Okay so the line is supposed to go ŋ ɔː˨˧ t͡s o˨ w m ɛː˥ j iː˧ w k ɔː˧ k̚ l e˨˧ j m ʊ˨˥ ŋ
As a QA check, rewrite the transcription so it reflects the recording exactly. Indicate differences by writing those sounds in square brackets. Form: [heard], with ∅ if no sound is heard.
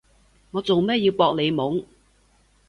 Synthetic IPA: ŋ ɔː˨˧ t͡s o˨ w m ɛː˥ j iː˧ w [p] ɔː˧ k̚ l e˨˧ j m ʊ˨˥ ŋ

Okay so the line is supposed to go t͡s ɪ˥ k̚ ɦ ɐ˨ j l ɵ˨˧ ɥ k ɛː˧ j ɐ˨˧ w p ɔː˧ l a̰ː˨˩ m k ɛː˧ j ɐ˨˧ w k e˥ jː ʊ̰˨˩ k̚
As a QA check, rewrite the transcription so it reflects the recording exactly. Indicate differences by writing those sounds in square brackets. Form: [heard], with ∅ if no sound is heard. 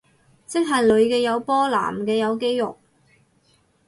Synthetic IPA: t͡s ɪ˥ k̚ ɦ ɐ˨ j l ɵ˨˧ ɥ k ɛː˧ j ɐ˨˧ w p [ɔː˥] l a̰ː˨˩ m k ɛː˧ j ɐ˨˧ w k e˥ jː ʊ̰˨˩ k̚

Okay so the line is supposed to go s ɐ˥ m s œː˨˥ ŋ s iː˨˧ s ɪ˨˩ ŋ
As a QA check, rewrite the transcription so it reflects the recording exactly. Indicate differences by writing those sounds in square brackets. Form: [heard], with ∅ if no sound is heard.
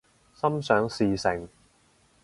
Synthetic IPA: s ɐ˥ m s œː˨˥ ŋ s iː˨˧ s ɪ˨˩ ŋ

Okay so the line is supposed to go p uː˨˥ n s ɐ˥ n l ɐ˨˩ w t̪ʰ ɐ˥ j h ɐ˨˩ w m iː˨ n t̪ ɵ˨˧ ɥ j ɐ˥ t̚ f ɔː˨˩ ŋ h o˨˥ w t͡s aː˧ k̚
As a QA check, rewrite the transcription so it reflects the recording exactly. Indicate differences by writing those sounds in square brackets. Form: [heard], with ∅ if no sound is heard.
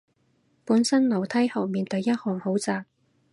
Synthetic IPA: p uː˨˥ n s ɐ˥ n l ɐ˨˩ w t̪ʰ ɐ˥ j h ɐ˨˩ w m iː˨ n t̪ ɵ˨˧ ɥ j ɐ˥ t̚ [h] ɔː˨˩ ŋ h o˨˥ w t͡s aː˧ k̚

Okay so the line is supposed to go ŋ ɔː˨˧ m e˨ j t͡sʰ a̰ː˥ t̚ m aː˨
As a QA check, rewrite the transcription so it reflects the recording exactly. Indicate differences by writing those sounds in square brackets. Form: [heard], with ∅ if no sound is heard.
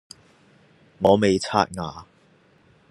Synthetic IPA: ŋ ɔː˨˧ m e˨ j t͡sʰ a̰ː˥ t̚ [ŋ] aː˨

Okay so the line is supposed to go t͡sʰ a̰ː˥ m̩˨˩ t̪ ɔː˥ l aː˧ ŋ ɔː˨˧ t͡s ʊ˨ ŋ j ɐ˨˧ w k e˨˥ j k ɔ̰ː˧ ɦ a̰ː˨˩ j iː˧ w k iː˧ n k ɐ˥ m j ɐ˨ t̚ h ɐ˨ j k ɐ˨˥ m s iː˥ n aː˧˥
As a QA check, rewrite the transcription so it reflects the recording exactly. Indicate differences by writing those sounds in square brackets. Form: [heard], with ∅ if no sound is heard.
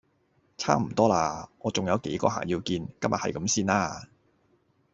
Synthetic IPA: t͡sʰ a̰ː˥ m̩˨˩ t̪ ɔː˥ l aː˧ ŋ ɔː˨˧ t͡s ʊ˨ ŋ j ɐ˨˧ w k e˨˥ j k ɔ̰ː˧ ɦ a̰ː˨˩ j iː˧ w k iː˧ n k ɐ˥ m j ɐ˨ t̚ h ɐ˨ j k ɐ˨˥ m s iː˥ n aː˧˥

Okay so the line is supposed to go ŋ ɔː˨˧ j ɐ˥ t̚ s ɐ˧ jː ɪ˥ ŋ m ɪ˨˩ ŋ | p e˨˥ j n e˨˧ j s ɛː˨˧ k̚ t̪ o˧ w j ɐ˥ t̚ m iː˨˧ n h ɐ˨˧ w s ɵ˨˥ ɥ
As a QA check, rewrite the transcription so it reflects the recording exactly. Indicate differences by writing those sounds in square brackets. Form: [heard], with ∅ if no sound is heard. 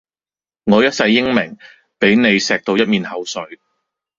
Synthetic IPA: ŋ ɔː˨˧ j ɐ˥ t̚ s ɐ˧ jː ɪ˥ ŋ m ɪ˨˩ ŋ | p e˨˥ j n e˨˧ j s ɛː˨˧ k̚ t̪ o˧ w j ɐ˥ t̚ m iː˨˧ n h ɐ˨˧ w s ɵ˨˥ ɥ

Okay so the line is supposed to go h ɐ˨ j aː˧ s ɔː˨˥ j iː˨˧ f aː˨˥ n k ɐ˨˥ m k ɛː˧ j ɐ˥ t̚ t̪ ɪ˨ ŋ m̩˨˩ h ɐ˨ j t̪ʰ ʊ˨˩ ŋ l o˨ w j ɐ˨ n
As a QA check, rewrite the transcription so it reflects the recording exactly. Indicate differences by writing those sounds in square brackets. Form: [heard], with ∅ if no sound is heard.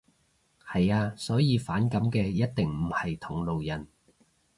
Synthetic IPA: h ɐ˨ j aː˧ s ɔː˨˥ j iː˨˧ f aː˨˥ n k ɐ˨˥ m k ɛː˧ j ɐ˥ t̚ t̪ ɪ˨ ŋ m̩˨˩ h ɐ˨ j t̪ʰ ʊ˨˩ ŋ l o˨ w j ɐ˨ n

